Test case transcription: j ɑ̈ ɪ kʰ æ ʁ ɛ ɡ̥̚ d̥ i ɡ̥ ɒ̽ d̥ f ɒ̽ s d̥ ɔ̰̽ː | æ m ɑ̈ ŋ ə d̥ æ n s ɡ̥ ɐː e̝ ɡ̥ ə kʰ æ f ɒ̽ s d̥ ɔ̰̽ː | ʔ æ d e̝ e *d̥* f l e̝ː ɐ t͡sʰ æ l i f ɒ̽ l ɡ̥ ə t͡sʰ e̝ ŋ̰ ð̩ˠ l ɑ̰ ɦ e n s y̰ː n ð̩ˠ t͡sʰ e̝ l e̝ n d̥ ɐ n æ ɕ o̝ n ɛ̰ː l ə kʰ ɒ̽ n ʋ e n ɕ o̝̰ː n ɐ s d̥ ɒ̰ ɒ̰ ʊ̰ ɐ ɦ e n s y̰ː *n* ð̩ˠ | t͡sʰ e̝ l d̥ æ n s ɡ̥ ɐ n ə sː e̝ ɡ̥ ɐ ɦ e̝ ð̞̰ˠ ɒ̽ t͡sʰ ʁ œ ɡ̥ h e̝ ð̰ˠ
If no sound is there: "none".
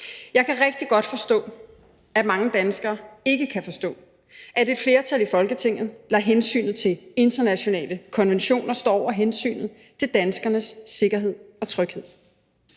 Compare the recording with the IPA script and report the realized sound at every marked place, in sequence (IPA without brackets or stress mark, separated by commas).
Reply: d̥, n